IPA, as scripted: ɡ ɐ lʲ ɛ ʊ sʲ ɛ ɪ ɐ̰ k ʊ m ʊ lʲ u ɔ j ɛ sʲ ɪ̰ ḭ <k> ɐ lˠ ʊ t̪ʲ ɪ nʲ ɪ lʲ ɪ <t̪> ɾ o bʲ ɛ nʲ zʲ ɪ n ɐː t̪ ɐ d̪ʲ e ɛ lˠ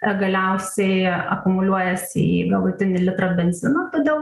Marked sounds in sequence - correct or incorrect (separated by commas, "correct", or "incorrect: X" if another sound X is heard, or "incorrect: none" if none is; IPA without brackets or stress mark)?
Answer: incorrect: ɡ, correct